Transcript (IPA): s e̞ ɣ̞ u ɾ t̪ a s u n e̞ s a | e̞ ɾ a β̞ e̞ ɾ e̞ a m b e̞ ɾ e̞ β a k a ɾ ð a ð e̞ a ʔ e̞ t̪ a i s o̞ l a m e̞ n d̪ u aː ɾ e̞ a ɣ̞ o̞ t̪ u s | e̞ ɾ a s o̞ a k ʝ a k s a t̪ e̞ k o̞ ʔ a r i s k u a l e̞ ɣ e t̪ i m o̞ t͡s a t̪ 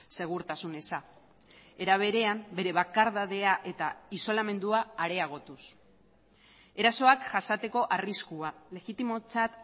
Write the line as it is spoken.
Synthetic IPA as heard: s e̞ ɣ̞ u ɾ t̪ a s u n e̞ s a | e̞ ɾ a β̞ e̞ ɾ e̞ a m b e̞ ɾ e̞ β a k a ɾ ð a ð e̞ a ʔ e̞ t̪ a i s o̞ l a m e̞ n d̪ u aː ɾ e̞ a ɣ̞ o̞ t̪ u s | e̞ ɾ a s o̞ a k ʝ a s a t̪ e̞ k o̞ ʔ a r i s k u a l e̞ ɣ i t̪ i m o̞ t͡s a t̪